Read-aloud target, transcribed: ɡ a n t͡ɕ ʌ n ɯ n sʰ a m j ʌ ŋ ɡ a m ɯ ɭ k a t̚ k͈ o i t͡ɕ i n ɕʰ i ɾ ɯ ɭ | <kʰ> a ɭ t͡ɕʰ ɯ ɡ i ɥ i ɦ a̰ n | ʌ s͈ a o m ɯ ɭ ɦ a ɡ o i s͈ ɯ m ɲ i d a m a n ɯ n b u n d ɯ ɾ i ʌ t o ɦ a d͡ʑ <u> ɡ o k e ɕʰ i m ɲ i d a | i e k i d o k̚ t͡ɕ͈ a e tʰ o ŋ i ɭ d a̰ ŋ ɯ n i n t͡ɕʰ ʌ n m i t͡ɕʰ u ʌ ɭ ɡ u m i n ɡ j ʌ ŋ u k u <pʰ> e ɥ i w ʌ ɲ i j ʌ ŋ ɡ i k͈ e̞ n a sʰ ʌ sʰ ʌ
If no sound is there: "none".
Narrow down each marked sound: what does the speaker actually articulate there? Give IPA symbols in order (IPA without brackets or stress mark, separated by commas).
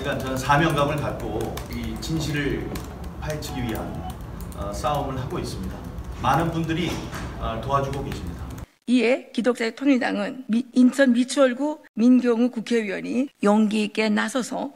pʰ, u, kʰ